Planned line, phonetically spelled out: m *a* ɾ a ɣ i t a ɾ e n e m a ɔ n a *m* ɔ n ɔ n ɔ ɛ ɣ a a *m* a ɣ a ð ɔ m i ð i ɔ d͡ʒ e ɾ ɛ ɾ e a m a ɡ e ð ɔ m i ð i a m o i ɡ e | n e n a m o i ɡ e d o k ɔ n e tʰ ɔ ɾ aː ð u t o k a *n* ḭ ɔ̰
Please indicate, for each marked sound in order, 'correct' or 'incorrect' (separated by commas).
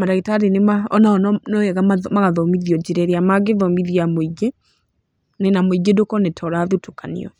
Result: correct, incorrect, correct, correct